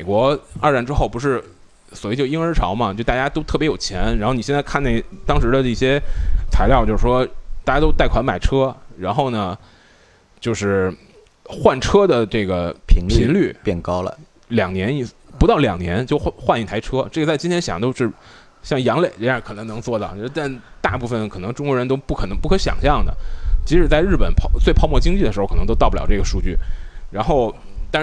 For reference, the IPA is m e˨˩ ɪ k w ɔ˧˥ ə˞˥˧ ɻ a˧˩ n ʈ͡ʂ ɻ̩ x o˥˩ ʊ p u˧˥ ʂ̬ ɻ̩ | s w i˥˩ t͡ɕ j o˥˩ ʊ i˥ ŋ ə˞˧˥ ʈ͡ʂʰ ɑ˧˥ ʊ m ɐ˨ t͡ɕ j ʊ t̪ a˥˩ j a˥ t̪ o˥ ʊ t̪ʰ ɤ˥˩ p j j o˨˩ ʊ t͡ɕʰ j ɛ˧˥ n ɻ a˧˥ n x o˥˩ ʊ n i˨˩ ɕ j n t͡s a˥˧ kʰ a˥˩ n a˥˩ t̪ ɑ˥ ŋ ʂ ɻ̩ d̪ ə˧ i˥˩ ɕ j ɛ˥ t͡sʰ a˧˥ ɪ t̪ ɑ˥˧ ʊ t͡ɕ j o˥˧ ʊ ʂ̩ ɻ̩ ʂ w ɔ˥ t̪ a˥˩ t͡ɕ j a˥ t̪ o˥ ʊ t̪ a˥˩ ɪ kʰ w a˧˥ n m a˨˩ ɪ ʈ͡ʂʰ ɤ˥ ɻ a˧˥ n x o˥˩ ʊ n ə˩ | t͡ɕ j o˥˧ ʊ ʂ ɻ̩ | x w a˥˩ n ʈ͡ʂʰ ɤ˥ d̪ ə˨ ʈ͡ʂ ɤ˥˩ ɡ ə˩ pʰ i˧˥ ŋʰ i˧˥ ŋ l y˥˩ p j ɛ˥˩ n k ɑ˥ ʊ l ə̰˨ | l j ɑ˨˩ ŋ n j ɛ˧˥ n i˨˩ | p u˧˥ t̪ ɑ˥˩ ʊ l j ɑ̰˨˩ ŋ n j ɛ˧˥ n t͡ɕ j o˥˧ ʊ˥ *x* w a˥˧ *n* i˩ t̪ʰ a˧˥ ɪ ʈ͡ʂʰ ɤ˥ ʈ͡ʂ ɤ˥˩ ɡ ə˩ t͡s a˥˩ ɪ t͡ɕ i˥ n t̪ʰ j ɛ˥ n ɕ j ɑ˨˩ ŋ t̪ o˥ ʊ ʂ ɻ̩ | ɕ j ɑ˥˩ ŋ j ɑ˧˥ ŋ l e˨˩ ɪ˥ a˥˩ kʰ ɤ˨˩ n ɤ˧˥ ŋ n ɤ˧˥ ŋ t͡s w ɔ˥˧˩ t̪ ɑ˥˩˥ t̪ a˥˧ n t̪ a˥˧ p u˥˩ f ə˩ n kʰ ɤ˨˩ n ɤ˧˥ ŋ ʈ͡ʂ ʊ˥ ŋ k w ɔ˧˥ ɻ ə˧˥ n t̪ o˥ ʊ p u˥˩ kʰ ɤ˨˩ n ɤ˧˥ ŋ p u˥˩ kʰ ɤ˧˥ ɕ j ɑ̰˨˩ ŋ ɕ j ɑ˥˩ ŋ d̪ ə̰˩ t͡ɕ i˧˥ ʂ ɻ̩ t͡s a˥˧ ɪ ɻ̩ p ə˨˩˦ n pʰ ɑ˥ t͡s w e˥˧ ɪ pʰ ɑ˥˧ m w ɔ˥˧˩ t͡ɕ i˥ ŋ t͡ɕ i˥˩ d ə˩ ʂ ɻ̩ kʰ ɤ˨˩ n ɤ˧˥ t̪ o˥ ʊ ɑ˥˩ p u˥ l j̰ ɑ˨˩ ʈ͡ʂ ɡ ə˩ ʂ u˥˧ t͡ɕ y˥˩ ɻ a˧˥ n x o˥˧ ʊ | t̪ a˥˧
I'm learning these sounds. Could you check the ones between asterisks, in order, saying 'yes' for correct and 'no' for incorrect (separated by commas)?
yes, yes